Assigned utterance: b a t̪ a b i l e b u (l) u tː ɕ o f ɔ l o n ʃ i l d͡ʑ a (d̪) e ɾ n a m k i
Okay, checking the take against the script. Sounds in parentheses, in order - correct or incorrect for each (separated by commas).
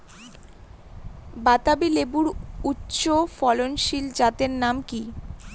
incorrect, incorrect